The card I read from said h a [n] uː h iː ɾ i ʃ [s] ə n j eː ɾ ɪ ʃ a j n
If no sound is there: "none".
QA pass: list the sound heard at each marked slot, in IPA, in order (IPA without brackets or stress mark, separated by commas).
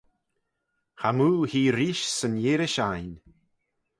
m, s